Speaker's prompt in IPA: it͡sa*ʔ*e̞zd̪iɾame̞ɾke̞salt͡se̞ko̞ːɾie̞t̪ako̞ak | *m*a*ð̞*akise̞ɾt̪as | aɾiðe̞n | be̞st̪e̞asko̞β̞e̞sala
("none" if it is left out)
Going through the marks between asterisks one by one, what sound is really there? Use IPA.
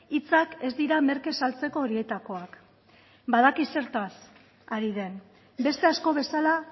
k, b, ð̞

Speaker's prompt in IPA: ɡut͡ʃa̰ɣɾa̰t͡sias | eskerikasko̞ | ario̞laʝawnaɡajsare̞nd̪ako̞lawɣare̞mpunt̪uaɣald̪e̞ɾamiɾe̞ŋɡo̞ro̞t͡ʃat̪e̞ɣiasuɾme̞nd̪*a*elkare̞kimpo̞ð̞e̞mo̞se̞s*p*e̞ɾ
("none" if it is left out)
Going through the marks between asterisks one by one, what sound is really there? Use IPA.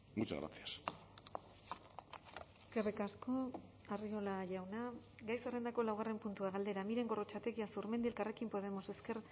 i, k

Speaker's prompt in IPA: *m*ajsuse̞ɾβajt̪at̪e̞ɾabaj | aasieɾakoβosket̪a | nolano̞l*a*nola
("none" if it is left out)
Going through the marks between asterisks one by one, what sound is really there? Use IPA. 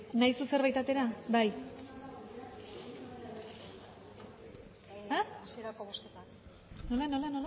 n, a

